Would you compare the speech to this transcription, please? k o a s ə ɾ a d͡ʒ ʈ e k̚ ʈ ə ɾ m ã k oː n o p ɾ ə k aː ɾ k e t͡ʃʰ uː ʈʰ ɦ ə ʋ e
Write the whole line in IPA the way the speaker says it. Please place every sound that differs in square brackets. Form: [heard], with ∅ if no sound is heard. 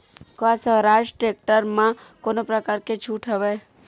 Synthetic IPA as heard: k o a s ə ɾ a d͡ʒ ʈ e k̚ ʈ ə ɾ m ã k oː n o p ɾ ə k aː ɾ k e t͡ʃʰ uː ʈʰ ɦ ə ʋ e